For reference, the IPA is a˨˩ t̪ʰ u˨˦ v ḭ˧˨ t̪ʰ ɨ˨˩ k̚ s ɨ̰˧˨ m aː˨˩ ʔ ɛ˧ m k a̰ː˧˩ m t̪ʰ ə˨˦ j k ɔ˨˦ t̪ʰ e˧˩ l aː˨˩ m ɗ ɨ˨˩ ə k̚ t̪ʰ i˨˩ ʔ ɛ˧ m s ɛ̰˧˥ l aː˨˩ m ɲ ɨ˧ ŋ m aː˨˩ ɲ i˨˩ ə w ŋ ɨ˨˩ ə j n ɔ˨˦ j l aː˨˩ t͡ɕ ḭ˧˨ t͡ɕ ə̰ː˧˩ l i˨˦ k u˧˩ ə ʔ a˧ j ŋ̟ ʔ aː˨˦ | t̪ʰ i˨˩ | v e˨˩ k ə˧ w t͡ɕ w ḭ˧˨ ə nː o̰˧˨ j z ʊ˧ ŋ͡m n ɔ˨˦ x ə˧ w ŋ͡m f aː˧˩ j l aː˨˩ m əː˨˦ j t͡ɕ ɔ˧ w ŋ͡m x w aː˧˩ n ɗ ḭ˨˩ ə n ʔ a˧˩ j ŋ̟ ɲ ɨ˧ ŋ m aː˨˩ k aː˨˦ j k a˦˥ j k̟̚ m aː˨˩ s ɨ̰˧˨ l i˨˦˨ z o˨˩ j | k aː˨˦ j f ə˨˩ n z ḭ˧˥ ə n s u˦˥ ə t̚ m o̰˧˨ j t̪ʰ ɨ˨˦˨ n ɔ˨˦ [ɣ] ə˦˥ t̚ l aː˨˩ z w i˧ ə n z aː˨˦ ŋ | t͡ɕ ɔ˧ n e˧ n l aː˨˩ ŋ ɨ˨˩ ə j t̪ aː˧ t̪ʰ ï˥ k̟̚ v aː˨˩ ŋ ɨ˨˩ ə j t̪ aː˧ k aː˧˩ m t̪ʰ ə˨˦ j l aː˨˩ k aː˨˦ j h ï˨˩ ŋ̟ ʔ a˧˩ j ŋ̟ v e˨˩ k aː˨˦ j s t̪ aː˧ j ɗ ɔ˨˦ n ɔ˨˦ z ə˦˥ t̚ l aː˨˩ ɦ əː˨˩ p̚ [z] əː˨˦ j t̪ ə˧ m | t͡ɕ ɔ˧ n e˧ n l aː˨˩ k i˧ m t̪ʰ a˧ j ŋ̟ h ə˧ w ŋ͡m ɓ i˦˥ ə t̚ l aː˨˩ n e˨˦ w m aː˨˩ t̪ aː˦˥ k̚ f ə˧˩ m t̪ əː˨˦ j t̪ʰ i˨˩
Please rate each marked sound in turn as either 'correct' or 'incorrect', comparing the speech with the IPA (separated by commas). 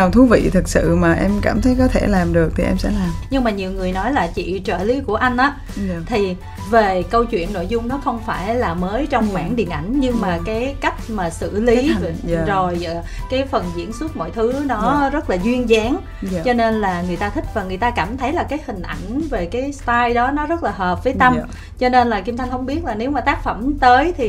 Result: incorrect, incorrect